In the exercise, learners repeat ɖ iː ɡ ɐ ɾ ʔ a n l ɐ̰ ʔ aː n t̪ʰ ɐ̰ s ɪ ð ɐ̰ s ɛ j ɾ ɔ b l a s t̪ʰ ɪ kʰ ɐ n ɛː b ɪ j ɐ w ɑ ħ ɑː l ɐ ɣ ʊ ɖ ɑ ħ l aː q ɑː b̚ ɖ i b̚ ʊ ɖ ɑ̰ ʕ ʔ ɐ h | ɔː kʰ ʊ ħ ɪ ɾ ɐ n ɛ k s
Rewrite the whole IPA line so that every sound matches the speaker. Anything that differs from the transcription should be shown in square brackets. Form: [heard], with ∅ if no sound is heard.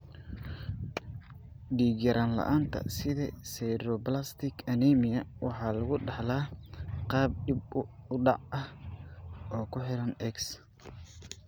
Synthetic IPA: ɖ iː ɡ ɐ ɾ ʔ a n l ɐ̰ ʔ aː n t̪ʰ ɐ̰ s ɪ ð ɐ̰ s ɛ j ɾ ɔ b l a s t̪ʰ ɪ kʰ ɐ n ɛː [m] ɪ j ɐ w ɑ ħ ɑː l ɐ ɣ ʊ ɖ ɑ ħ l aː q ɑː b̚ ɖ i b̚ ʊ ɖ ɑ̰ ʕ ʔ ɐ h | ɔː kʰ ʊ ħ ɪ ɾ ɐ n ɛ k s

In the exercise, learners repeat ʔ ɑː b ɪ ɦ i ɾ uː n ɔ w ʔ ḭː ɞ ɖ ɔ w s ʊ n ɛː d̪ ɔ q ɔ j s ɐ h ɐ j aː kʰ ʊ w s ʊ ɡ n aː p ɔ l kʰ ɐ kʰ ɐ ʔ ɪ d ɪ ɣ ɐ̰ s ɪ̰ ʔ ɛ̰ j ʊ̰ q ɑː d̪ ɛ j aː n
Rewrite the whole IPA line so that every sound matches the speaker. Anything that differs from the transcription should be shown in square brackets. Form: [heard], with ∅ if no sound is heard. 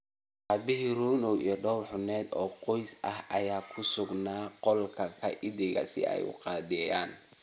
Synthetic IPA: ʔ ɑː b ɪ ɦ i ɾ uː n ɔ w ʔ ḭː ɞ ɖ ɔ w [ħ] ʊ n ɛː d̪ [ɔː] q ɔ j s ɐ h ɐ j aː kʰ ʊ [∅] s ʊ ɡ n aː [q] ɔ l kʰ ɐ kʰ ɐ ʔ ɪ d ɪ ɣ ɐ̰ s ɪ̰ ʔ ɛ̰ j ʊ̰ q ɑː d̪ ɛ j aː n

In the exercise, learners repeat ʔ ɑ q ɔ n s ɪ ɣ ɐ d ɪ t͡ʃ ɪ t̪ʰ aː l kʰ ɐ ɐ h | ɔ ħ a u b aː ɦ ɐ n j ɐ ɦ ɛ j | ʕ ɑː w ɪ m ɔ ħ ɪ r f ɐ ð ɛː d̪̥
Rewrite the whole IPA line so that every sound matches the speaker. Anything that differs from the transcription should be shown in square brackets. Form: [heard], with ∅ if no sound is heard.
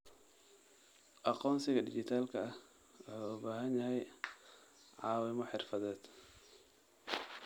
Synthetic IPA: ʔ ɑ q [ɔː] n s ɪ ɣ ɐ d ɪ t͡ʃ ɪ t̪ʰ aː l kʰ ɐ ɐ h | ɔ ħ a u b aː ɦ ɐ n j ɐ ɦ ɛ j | ʕ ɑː w ɪ m ɔ ħ ɪ r f ɐ ð ɛː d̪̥

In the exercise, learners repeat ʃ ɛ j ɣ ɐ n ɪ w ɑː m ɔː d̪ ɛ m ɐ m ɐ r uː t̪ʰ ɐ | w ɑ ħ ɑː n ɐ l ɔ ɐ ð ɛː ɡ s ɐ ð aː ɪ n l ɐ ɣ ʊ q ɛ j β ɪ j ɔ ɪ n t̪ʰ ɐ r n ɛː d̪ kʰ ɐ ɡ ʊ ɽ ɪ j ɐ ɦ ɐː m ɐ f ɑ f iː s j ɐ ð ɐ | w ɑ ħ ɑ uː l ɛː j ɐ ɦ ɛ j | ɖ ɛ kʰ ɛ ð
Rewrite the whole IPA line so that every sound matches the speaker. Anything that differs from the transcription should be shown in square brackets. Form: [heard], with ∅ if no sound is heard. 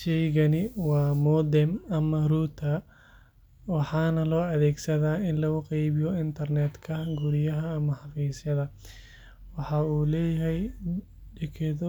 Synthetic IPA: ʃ ɛ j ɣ ɐ n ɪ w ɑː m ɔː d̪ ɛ m ɐ m ɐ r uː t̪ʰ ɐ | w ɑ ħ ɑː n ɐ l [ɔː] ɐ ð ɛː ɡ s ɐ ð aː ɪ n l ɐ ɣ ʊ q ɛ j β ɪ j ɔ ɪ n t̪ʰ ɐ r n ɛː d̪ kʰ ɐ ɡ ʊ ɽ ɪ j ɐ ɦ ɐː m ɐ [ħ] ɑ f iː s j ɐ ð ɐ | w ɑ ħ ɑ uː l ɛː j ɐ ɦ ɛ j | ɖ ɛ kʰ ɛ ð

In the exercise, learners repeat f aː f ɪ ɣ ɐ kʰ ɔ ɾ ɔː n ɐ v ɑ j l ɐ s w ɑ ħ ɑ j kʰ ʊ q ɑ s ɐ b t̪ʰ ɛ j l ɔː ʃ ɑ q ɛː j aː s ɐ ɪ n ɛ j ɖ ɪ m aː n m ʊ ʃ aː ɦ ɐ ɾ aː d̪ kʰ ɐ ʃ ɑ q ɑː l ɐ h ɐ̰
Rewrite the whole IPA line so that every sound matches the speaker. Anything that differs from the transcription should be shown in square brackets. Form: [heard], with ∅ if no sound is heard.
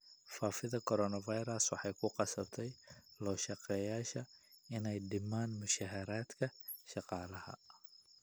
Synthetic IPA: f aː f ɪ [ð] ɐ kʰ ɔ ɾ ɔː n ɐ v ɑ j [ɾ] ɐ s w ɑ ħ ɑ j kʰ ʊ q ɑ s ɐ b t̪ʰ ɛ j l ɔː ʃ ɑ q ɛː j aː [ʃ] ɐ ɪ n ɛ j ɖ ɪ m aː n m ʊ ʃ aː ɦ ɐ ɾ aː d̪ kʰ ɐ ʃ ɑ q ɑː l ɐ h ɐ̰

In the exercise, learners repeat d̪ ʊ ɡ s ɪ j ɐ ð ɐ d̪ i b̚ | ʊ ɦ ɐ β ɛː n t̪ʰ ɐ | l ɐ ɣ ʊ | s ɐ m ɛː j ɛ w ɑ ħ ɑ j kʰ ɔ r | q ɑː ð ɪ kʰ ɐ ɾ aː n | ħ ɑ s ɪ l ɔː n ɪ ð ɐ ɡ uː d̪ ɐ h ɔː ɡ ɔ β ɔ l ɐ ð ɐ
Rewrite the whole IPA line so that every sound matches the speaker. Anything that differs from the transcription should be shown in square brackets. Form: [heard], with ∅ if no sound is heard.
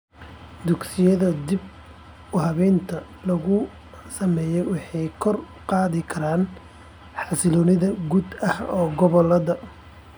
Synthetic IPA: d̪ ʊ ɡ s ɪ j ɐ ð ɐ d̪ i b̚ | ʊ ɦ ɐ β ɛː n t̪ʰ ɐ | l ɐ ɣ ʊ | s ɐ m ɛː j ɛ w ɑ ħ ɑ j kʰ ɔ r | q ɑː ð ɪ kʰ ɐ ɾ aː n | ħ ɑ s ɪ l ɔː n ɪ ð ɐ ɡ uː d̪ ɐ h ɔː ɡ ɔ β ɔ l ɐ ð ɐ

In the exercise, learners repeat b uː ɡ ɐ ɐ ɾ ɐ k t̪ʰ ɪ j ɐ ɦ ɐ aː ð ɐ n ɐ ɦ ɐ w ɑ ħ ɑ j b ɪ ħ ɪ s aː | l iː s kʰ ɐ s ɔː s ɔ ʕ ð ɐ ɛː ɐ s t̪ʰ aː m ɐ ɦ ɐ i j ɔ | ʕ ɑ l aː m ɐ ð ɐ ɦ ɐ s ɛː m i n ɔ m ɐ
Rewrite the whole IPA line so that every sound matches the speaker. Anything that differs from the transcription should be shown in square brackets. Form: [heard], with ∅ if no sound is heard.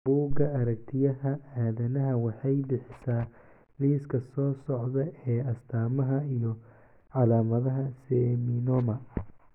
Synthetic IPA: b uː ɡ ɐ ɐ ɾ ɐ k t̪ʰ ɪ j ɐ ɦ ɐ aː ð ɐ n ɐ ɦ ɐ w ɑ ħ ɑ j b ɪ ħ ɪ s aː | l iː s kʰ ɐ s ɔː s ɔ ʕ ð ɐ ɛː ɐ s t̪ʰ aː m ɐ ɦ ɐ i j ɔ | ʕ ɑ l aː m ɐ ð ɐ ɦ ɐ s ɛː m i n ɔ m ɐ

